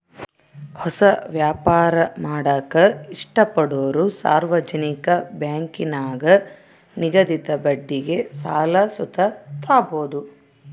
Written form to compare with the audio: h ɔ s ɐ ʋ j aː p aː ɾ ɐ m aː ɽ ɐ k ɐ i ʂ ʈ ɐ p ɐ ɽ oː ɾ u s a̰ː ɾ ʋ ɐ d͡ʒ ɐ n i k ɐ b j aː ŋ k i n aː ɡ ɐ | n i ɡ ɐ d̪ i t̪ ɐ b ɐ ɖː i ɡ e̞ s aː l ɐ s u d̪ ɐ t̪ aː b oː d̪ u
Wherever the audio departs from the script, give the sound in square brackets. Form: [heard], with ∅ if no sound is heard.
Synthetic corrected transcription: h ɔ s ɐ ʋ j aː p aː ɾ ɐ m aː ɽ ɐ k ɐ i ʂ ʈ ɐ p ɐ ɽ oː ɾ u s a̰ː ɾ ʋ ɐ d͡ʒ ɐ n i k ɐ b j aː ŋ k i n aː ɡ ɐ | n i ɡ ɐ d̪ i t̪ ɐ b ɐ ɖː i ɡ e̞ s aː l ɐ s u [t̪] ɐ t̪ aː b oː d̪ u

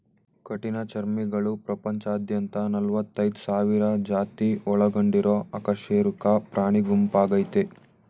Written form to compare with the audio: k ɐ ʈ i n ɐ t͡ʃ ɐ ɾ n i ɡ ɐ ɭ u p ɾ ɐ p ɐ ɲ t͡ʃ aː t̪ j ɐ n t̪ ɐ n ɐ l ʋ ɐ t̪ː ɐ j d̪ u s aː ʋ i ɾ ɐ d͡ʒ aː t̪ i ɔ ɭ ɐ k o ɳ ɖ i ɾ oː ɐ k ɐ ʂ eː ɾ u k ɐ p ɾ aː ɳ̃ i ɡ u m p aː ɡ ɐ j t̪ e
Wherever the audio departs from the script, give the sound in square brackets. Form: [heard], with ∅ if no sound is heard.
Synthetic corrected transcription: k ɐ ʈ i n ɐ t͡ʃ ɐ ɾ [m] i ɡ ɐ ɭ u p ɾ ɐ p ɐ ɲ t͡ʃ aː [d̪] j ɐ n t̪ ɐ n ɐ l ʋ ɐ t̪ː ɐ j d̪ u s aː ʋ i ɾ ɐ d͡ʒ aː t̪ i ɔ ɭ ɐ [ɡ] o ɳ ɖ i ɾ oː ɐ k ɐ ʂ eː ɾ u k ɐ p ɾ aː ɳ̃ i ɡ u m p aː ɡ ɐ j t̪ e

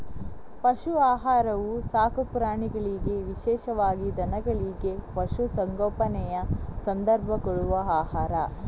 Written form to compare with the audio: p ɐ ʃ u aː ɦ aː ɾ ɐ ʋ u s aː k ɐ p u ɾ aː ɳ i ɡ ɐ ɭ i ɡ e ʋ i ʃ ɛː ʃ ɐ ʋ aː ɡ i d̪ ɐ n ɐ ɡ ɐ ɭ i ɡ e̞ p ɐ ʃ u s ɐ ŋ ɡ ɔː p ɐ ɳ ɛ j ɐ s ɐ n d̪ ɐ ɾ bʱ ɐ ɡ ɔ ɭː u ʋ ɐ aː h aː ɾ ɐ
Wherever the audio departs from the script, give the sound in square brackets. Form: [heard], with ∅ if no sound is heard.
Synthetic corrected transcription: p ɐ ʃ u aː ɦ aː ɾ ɐ ʋ u s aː k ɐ p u ɾ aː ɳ i ɡ ɐ ɭ i ɡ e ʋ i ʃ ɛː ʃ ɐ ʋ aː ɡ i d̪ ɐ n ɐ ɡ ɐ ɭ i ɡ e̞ p ɐ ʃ u s ɐ ŋ ɡ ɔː p ɐ [n] ɛ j ɐ s ɐ n d̪ ɐ ɾ bʱ ɐ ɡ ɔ [ɭ] u ʋ ɐ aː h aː ɾ ɐ

